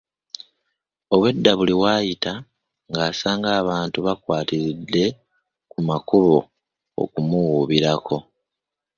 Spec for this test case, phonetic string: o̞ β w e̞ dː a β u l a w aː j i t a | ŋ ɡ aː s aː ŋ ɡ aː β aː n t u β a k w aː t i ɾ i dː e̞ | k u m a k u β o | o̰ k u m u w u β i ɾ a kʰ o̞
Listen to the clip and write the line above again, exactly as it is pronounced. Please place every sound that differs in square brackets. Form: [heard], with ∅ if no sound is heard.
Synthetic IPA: o̞ β w e̞ dː a β u l [i] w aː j i t a | ŋ ɡ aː s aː ŋ ɡ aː β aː n t u β a k w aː t i ɾ i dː e̞ | k u m a k u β o | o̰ k u m u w u β i ɾ a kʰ o̞